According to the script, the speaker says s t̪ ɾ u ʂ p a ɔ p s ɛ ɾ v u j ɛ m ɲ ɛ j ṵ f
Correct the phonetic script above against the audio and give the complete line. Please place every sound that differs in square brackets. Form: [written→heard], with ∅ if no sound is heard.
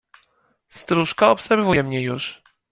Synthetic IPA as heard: s t̪ ɾ u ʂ [p→k] a ɔ p s ɛ ɾ v u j ɛ m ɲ ɛ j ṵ [f→ʂ]